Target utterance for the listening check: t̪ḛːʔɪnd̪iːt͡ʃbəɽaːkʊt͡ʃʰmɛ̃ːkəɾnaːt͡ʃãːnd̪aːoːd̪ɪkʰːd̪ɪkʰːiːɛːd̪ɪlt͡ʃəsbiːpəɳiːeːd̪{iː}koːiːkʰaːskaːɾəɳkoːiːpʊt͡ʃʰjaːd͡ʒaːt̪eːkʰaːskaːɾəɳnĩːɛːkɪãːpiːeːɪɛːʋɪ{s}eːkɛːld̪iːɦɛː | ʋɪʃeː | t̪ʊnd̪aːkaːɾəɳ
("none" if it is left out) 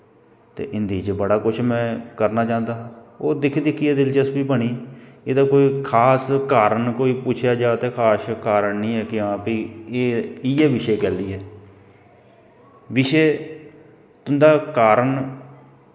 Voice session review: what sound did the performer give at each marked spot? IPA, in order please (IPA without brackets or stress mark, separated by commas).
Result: aː, ʃ